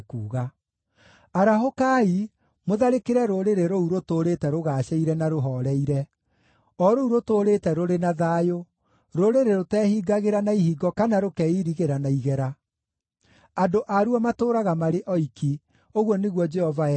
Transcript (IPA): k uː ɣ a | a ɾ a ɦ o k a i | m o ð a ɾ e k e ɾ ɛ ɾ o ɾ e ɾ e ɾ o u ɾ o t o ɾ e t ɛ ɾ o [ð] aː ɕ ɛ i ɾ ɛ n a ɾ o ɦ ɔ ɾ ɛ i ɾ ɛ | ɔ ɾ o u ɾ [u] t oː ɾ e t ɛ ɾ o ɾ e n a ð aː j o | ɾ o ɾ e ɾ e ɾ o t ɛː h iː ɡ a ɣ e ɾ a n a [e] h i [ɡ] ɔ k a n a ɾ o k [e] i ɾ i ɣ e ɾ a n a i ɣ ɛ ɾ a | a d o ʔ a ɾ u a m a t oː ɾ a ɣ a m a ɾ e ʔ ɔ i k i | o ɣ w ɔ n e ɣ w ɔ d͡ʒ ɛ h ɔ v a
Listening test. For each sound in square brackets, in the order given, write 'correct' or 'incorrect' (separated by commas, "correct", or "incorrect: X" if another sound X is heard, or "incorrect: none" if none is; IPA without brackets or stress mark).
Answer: incorrect: ɣ, incorrect: o, incorrect: i, correct, incorrect: ɛ